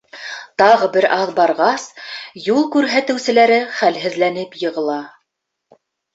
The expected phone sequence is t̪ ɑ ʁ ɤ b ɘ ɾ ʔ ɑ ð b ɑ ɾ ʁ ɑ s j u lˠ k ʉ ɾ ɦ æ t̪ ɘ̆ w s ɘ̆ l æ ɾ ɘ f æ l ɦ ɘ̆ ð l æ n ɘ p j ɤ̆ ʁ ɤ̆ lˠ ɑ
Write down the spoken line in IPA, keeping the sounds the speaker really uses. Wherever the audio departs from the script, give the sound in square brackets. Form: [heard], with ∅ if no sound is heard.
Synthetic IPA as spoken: t̪ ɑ ʁ ɤ b ɘ ɾ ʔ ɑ ð b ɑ ɾ ʁ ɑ s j u lˠ k ʉ ɾ ɦ æ t̪ ɘ̆ w s ɘ̆ l æ ɾ ɘ [χ] æ l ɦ ɘ̆ ð l æ n ɘ p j ɤ̆ ʁ ɤ̆ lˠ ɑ